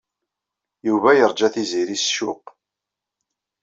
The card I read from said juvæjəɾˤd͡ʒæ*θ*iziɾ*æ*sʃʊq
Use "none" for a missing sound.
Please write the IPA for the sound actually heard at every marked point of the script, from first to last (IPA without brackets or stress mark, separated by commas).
θ, i